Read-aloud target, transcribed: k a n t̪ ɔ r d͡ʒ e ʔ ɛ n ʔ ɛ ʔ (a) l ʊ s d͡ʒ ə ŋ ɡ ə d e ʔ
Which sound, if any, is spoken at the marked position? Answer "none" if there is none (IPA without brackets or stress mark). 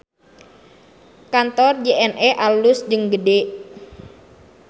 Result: a